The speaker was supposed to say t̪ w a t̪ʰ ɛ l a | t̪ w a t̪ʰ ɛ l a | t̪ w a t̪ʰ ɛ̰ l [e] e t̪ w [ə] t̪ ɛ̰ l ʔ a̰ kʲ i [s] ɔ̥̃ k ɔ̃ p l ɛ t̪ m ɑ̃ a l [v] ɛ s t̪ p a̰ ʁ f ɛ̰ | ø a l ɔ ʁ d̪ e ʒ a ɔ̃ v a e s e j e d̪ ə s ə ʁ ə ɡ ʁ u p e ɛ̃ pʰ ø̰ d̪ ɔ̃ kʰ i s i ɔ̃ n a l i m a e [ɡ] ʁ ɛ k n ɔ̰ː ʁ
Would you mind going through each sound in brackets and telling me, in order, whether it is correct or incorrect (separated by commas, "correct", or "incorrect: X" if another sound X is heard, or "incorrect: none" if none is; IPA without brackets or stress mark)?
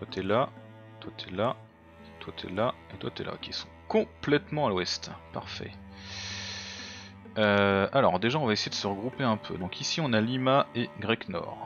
incorrect: a, incorrect: a, correct, incorrect: w, correct